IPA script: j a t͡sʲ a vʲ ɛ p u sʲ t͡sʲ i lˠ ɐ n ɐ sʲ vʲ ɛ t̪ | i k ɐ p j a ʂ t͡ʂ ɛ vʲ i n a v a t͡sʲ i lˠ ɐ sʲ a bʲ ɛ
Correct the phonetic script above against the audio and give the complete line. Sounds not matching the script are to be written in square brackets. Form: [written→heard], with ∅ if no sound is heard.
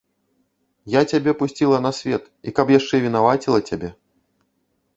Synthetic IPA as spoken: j a t͡sʲ a [vʲ→bʲ] ɛ p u sʲ t͡sʲ i lˠ ɐ n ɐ sʲ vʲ ɛ t̪ | i k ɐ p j a ʂ t͡ʂ ɛ vʲ i n a v a t͡sʲ i lˠ ɐ [sʲ→t͡sʲ] a bʲ ɛ